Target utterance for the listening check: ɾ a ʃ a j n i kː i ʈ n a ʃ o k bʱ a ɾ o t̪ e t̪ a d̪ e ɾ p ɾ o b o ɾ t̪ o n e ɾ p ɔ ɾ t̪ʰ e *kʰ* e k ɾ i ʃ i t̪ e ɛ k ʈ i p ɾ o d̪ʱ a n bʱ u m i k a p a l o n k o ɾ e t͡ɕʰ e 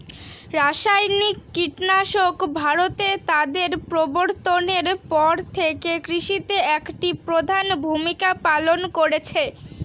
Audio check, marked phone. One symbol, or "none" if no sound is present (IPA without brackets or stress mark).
k